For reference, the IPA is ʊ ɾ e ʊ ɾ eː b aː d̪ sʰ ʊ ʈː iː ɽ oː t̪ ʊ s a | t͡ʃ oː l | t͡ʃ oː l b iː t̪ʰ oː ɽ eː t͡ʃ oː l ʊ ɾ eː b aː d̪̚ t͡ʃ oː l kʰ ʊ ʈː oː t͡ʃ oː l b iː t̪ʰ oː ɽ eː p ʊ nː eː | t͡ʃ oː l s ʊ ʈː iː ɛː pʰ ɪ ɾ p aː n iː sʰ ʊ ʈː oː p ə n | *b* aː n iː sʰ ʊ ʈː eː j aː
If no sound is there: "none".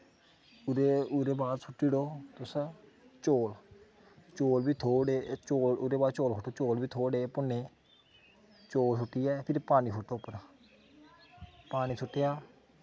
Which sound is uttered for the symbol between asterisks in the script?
p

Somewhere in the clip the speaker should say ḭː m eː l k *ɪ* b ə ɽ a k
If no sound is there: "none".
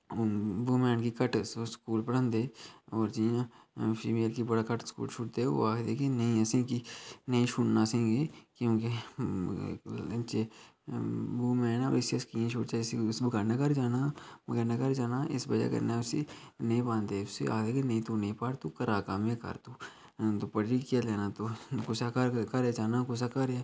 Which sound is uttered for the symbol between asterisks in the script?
i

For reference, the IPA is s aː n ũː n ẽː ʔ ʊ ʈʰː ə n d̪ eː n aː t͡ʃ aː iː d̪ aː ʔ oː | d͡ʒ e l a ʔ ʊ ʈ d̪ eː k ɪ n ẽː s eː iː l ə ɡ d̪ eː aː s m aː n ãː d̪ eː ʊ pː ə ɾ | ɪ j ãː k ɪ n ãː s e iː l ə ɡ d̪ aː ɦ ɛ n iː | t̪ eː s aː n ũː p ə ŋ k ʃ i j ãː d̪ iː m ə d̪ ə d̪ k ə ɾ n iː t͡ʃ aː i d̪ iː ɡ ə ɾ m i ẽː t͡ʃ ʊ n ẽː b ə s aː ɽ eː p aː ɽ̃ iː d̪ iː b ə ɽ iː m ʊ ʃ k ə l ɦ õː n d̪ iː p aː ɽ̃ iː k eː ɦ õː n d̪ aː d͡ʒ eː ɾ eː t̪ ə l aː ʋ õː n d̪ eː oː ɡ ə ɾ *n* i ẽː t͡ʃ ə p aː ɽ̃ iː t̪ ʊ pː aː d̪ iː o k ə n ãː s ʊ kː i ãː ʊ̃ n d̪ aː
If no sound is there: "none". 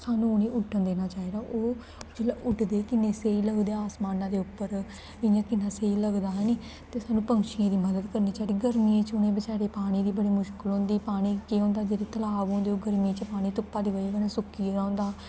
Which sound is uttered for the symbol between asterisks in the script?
m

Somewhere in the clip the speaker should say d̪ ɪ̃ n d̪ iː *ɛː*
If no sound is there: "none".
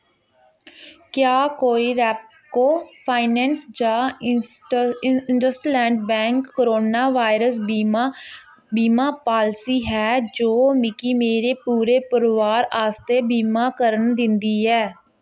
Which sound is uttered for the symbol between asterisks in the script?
ɛː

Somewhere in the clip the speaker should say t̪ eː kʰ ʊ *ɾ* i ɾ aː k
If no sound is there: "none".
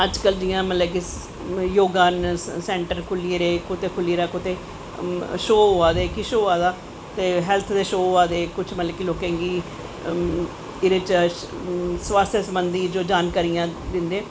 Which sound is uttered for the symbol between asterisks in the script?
l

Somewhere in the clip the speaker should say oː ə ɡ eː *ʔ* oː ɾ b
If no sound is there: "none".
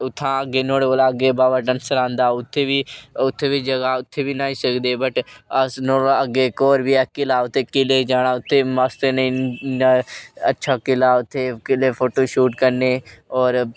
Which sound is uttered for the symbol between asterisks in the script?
k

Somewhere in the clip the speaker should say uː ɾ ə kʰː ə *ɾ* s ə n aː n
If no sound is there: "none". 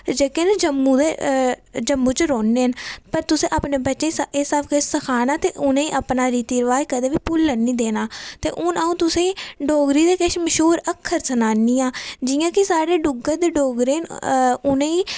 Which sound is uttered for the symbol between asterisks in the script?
ɾ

